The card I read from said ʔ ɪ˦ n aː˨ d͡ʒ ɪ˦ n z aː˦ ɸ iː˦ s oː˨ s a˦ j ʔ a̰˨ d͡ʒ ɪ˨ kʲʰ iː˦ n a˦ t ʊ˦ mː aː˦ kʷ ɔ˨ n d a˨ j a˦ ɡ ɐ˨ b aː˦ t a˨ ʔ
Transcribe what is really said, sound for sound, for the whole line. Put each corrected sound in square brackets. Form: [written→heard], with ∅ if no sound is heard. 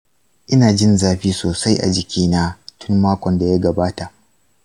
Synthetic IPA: ʔ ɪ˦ n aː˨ d͡ʒ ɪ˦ n z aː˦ ɸ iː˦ s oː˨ s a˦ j ʔ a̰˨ d͡ʒ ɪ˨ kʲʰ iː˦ n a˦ t ʊ˦ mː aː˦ kʷ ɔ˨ n d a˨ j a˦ ɡ ɐ˨ b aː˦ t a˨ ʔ